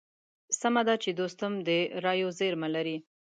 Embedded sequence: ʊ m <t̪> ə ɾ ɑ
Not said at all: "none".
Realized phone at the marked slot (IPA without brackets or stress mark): d̪